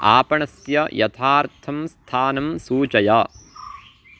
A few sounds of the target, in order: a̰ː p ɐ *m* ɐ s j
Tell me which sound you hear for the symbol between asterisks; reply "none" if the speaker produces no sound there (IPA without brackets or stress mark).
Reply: ɳ